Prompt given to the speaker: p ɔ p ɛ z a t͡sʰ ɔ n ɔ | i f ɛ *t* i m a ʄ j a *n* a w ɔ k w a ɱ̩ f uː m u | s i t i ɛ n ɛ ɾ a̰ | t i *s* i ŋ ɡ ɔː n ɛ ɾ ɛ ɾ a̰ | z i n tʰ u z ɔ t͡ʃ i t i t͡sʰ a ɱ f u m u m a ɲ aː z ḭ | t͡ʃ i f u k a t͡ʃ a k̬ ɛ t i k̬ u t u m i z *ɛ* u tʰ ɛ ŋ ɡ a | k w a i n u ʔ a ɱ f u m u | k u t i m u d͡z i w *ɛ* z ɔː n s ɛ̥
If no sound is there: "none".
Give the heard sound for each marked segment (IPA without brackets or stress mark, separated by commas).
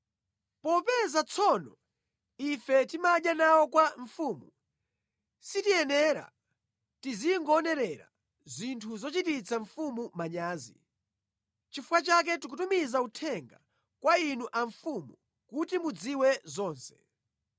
t, n, z, a, ɛ